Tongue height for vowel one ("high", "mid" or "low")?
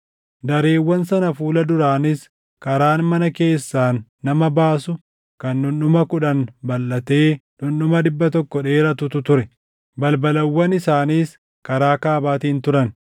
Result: low